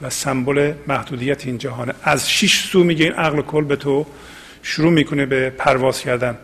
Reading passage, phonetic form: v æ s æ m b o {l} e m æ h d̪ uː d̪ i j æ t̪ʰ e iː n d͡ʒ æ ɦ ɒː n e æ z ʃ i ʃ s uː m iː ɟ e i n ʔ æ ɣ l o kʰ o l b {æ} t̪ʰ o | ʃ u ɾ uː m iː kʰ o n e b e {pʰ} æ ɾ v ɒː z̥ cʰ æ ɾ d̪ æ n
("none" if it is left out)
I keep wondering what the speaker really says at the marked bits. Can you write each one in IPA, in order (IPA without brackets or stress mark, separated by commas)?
l, e, pʰ